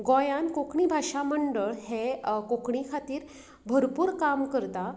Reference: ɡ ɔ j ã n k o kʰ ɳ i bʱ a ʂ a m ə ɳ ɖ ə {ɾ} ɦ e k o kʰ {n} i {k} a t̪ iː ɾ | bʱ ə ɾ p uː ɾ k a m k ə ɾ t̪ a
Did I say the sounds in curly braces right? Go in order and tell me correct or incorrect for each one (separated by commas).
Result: incorrect, incorrect, incorrect